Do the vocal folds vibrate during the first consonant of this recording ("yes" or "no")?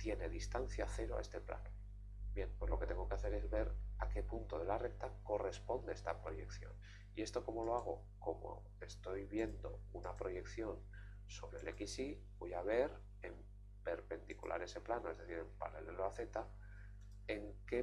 no